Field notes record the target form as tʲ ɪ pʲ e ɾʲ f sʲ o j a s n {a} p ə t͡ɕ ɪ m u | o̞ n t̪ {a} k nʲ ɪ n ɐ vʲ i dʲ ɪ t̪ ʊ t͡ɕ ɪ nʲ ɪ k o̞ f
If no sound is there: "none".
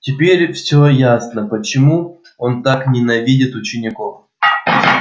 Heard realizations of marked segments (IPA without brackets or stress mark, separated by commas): ə, a